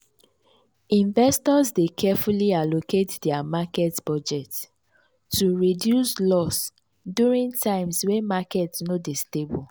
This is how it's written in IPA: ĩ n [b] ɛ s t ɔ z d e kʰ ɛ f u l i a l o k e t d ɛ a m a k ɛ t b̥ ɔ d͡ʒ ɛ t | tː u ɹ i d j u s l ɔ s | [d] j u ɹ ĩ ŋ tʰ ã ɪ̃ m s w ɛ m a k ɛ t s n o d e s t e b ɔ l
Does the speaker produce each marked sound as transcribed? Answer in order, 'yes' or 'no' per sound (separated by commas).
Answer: no, yes